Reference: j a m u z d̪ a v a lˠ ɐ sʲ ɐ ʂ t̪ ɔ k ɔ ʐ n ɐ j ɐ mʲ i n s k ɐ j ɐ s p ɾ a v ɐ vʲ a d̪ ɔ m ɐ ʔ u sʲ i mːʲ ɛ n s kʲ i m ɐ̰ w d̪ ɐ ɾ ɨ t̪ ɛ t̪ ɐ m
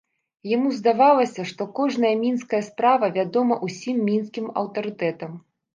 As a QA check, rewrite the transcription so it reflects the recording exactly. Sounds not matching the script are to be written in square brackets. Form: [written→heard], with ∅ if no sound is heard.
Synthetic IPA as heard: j a m u z d̪ a v a lˠ ɐ sʲ ɐ ʂ t̪ ɔ k ɔ ʐ n ɐ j ɐ mʲ i n s k ɐ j ɐ s p ɾ a v ɐ vʲ a d̪ ɔ m ɐ ʔ u sʲ i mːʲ [ɛ→i] n s kʲ i m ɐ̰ w [d̪→t̪] ɐ ɾ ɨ t̪ ɛ t̪ ɐ m